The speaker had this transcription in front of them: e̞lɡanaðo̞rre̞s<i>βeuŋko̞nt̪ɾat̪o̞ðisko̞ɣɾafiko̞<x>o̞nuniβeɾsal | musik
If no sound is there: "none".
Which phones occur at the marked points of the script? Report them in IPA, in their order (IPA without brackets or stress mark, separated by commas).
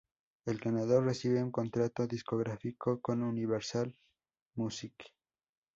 i, k